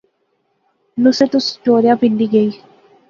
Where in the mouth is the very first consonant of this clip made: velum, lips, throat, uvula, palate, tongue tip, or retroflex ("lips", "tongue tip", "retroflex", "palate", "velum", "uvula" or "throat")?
tongue tip